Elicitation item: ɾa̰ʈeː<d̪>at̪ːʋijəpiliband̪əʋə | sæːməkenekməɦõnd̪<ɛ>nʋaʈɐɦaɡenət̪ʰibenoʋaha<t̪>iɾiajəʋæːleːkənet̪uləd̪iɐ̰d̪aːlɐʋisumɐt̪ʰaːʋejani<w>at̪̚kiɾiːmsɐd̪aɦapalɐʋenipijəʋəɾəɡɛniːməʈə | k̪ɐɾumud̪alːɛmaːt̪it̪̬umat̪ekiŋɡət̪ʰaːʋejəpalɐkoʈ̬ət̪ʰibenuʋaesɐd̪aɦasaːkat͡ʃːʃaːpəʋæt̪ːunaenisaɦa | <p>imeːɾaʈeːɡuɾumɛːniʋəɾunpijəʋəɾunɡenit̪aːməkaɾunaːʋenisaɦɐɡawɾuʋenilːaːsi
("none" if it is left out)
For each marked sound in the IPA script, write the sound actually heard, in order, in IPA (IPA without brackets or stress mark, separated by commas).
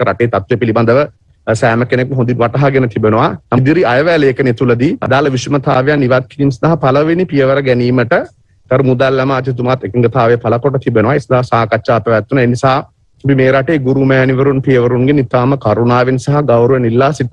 t̪, i, d̪, ʋ, p